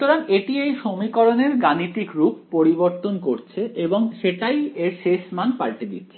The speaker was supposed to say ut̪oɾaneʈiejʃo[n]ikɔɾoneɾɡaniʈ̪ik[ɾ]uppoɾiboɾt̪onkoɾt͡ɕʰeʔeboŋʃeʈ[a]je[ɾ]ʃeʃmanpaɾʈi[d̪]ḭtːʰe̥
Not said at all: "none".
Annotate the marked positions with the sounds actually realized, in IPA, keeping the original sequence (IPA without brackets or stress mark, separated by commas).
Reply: m, ɾ, a, ɾ, d̪